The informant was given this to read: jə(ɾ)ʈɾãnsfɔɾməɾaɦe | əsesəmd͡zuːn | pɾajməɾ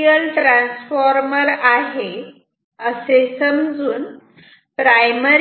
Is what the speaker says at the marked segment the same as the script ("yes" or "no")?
no